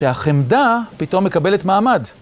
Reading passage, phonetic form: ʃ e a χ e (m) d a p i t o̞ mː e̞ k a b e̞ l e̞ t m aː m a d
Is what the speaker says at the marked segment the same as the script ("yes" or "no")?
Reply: yes